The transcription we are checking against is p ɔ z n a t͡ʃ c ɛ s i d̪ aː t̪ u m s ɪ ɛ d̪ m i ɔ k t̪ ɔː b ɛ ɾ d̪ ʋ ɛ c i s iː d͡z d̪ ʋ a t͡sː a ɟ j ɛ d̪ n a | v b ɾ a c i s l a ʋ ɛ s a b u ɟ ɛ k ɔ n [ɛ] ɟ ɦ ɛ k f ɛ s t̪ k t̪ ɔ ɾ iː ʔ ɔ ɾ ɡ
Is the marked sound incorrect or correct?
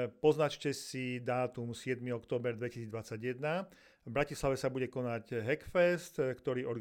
incorrect